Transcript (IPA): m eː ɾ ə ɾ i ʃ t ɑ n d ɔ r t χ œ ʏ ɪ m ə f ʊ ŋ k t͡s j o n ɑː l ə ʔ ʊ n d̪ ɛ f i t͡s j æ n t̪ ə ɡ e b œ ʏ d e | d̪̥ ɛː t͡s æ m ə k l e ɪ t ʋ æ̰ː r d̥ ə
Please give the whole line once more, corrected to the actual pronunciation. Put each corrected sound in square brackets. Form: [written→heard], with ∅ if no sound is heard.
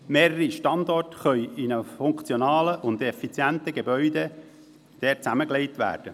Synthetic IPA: m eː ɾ ə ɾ i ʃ t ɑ n d ɔ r t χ œ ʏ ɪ [m→n] ə f ʊ ŋ k t͡s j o n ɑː l ə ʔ ʊ n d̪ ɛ f i t͡s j æ n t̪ ə ɡ e b œ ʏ d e | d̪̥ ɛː t͡s æ m ə k l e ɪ t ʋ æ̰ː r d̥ ə